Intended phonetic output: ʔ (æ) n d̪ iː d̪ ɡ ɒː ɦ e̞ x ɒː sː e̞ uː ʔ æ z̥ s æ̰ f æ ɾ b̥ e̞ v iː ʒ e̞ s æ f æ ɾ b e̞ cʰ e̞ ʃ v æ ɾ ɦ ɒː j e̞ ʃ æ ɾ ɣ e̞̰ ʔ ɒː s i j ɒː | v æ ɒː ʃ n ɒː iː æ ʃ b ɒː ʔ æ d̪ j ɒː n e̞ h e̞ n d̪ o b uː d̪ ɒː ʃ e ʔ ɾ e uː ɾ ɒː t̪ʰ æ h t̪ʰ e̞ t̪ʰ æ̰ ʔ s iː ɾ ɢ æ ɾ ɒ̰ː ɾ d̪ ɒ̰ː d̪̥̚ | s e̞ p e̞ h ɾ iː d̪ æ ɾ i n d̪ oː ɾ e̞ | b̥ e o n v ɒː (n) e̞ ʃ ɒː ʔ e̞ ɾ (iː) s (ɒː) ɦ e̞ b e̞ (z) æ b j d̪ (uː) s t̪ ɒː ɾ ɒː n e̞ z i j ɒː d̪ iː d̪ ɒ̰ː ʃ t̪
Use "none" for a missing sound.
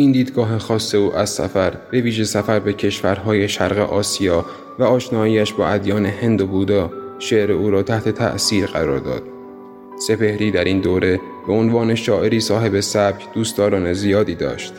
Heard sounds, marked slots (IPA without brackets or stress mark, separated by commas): i, n, iː, ɒː, s, uː